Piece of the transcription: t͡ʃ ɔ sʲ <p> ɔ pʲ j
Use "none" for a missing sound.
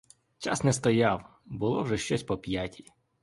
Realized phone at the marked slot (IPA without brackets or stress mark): p